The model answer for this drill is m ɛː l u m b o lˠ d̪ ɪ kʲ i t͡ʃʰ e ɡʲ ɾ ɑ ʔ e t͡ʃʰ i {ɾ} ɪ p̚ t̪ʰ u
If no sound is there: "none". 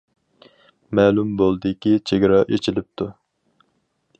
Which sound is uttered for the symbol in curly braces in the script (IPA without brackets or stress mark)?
l